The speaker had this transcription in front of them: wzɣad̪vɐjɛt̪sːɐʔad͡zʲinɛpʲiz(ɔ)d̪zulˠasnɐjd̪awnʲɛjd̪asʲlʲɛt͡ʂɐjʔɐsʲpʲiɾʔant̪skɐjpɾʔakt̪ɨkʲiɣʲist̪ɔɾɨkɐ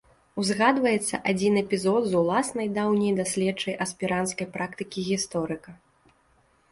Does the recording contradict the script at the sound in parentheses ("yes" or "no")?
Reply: no